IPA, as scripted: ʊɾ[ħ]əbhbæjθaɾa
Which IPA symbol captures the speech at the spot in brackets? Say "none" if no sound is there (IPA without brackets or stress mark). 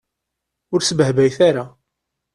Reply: s